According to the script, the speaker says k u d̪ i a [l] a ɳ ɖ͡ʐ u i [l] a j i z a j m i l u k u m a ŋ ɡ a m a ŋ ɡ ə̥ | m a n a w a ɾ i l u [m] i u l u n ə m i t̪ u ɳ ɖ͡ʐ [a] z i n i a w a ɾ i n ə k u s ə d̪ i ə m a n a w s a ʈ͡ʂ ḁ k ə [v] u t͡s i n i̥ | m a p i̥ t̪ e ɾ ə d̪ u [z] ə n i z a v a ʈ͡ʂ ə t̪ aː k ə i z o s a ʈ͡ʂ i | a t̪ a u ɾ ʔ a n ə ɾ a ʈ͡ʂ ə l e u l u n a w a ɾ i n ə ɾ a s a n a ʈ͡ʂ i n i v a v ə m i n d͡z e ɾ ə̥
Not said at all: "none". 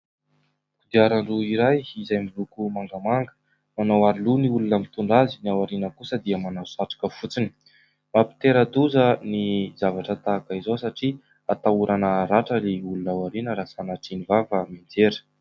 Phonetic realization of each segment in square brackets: ɾ, ɾ, n, a, f, z

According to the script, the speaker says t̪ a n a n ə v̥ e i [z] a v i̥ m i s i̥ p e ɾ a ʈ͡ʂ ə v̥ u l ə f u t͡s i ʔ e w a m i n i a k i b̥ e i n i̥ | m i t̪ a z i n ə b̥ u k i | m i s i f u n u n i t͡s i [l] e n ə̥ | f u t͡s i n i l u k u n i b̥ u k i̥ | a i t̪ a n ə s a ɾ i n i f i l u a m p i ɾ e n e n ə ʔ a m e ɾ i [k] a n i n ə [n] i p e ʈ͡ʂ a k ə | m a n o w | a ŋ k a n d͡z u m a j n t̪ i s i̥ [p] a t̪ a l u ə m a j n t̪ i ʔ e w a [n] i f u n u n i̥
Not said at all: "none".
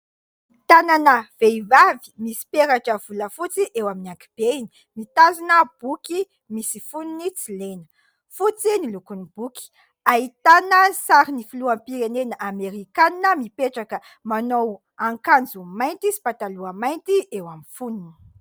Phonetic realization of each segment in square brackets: v, l, k, m, p, m

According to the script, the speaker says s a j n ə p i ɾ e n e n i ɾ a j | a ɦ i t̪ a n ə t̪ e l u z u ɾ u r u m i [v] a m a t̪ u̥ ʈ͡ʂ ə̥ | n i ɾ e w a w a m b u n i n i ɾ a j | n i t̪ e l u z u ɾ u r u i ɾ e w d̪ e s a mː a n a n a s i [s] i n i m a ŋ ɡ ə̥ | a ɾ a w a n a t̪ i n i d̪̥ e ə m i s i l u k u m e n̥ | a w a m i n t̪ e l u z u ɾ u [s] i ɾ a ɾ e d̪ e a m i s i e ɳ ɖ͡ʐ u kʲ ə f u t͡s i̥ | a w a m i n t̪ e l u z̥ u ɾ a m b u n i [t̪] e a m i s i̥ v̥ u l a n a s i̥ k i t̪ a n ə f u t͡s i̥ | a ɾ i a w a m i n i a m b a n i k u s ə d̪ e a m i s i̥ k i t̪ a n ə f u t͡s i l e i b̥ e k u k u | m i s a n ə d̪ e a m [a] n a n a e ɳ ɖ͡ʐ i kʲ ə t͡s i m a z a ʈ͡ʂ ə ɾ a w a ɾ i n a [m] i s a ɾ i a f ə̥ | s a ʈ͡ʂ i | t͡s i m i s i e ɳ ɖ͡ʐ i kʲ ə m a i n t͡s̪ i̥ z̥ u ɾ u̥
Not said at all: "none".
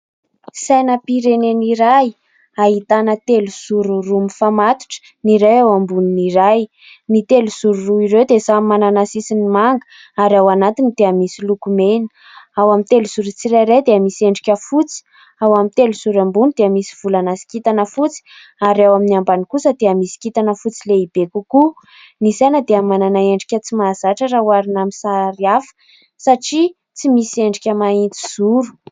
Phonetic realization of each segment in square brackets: f, s, t͡s, d̪, a, m

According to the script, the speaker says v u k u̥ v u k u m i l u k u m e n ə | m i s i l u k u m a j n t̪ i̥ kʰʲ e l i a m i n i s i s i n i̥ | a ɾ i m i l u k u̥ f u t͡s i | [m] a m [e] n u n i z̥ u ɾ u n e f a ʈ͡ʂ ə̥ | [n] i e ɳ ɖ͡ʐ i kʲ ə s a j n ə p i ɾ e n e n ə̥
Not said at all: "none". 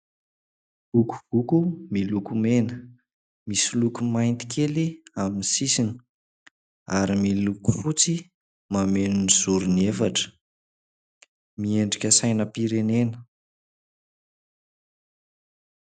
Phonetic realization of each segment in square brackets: m, e, m

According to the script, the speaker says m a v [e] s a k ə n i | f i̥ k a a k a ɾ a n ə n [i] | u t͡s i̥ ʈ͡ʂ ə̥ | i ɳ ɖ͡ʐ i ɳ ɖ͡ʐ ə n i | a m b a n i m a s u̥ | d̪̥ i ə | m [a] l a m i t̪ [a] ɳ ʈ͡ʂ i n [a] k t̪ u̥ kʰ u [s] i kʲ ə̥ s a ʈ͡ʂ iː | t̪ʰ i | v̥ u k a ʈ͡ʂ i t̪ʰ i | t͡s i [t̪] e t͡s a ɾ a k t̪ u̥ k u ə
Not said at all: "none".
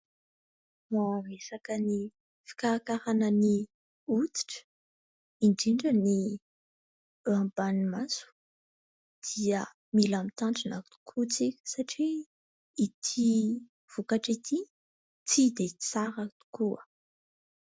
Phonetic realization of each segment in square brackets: e, i, i, a, a, t͡s, d̪

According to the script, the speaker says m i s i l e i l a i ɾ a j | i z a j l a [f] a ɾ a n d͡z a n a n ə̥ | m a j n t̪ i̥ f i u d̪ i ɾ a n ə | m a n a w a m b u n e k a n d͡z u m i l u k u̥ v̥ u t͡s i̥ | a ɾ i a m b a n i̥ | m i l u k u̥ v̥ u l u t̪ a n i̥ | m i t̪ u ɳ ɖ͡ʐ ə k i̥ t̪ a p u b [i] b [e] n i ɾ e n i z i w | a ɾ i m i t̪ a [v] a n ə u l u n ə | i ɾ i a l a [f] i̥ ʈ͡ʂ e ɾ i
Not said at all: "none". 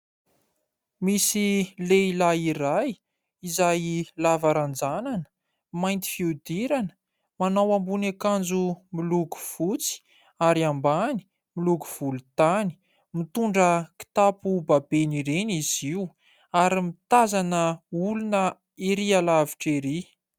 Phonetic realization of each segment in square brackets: v, a, e, z, v

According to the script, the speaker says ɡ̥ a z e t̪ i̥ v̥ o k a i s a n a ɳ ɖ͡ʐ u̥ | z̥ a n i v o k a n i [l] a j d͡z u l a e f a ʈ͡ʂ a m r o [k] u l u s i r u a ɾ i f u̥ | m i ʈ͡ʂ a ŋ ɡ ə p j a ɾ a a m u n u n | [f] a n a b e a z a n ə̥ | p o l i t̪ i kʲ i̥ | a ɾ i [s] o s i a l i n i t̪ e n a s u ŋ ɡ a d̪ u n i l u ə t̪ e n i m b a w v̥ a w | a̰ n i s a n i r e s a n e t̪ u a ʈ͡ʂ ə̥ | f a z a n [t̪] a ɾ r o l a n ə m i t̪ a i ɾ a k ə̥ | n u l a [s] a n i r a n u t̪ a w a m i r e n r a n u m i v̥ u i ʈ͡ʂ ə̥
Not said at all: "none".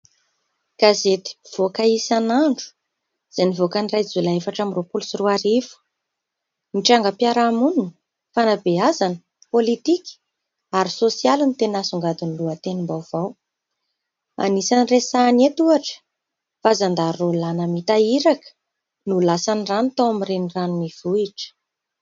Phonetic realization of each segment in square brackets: r, p, f, s, d̪, s

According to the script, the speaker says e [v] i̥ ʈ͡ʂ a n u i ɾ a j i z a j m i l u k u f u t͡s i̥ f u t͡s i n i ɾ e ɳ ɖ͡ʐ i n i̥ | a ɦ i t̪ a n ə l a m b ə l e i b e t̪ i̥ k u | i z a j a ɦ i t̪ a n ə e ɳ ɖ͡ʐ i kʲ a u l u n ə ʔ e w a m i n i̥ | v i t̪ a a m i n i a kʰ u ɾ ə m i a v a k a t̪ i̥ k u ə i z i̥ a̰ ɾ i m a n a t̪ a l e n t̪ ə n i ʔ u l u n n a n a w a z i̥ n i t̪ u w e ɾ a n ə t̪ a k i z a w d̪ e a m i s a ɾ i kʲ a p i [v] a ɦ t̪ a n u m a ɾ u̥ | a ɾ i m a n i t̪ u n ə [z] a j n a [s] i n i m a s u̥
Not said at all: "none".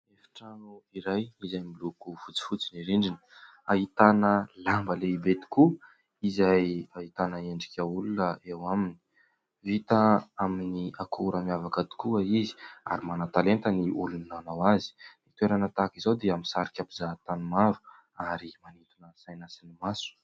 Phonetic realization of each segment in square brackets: f, z, s, s

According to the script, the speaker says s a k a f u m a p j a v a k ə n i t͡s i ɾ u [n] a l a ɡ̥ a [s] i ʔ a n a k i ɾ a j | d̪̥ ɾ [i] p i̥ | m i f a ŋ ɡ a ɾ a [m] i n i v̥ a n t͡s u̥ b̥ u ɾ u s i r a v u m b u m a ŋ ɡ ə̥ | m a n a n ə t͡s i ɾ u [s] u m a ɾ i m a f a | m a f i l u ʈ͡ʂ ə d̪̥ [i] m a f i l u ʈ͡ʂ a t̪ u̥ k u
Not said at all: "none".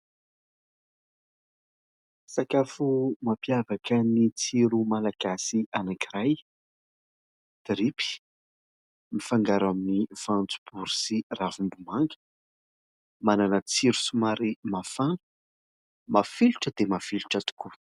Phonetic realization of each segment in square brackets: m, s, i, m, s, e

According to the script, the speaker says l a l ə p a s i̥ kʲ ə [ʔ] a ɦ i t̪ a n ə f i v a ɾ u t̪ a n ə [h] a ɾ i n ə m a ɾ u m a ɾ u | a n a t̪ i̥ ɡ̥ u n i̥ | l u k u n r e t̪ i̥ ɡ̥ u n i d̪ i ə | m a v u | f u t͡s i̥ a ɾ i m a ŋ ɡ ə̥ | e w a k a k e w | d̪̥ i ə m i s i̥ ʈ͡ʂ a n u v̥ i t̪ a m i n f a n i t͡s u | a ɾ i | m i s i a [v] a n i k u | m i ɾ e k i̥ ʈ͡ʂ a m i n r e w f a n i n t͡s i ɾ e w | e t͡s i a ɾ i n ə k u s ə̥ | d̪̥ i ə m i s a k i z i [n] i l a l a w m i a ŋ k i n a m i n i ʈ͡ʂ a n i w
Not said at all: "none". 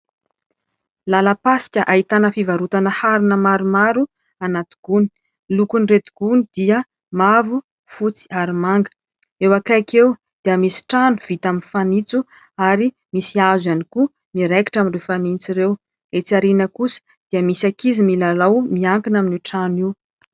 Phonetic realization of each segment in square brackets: ʔ, h, z, m

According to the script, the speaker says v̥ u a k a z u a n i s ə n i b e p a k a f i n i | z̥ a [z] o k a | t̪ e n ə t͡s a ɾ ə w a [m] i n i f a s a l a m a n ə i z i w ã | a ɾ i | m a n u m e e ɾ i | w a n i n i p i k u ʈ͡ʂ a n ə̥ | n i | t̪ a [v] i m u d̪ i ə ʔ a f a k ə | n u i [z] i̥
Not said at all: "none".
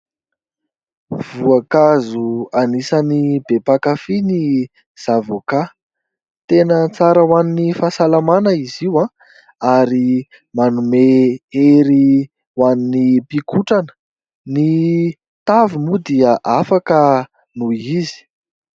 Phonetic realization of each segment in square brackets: v, n, v, z

